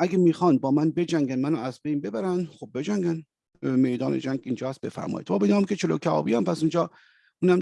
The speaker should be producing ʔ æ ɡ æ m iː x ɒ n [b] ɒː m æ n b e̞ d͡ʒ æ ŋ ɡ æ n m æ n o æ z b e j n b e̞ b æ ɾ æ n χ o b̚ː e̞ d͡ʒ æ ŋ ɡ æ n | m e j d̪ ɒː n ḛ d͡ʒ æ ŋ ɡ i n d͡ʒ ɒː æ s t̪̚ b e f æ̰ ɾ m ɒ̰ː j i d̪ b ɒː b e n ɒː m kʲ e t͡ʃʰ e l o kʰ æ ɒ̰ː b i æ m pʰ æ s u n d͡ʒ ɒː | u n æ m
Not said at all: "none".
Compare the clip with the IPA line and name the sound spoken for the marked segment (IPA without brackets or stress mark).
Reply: b